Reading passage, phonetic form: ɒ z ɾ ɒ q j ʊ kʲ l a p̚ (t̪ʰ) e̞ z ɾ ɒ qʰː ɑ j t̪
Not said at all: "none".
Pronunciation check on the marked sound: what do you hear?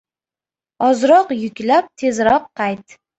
t̪ʰ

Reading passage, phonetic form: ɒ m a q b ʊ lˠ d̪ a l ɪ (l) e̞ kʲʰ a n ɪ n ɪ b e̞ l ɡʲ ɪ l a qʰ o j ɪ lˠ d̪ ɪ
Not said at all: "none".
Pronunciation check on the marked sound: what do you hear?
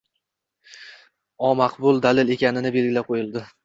l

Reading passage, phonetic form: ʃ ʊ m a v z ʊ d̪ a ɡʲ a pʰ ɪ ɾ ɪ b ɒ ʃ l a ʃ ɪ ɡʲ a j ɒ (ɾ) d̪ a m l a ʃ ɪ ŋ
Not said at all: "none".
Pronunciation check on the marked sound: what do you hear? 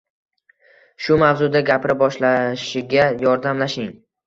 ɾ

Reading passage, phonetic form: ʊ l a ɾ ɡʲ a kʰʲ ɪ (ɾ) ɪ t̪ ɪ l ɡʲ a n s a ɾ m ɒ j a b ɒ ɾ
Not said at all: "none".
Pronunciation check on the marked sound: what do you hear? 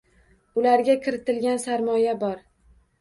ɾ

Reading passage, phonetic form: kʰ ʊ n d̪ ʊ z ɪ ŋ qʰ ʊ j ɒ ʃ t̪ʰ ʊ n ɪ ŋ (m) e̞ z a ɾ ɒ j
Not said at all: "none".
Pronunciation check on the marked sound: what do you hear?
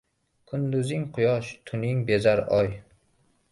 b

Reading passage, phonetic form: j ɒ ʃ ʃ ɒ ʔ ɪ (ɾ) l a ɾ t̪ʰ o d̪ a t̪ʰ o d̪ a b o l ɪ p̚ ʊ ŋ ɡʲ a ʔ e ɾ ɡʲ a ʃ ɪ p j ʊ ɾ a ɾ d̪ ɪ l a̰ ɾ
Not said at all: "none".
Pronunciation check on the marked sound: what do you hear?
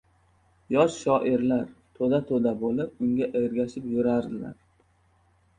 ɾ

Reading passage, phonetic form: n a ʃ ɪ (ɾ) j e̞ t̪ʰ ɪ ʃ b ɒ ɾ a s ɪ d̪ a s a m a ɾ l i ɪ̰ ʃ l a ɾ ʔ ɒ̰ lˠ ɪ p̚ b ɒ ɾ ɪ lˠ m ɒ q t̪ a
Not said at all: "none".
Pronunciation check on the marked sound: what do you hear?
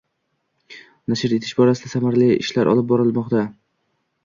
ɾ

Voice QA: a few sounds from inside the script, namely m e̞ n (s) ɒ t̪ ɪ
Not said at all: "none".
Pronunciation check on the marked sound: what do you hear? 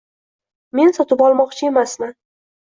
s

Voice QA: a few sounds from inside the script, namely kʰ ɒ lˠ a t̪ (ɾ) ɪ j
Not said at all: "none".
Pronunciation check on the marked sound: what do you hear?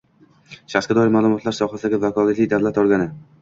l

